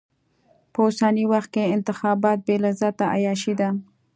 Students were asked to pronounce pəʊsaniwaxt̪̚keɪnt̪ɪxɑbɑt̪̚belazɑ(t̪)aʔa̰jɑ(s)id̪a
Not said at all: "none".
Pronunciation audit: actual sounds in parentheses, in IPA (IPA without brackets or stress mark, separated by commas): t̪, ʃ